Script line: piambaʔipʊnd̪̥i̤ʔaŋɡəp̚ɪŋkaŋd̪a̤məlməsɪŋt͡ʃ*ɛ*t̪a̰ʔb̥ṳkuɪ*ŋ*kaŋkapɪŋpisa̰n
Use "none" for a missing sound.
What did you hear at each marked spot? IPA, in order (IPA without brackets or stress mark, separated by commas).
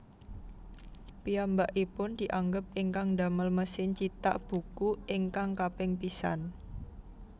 i, ŋ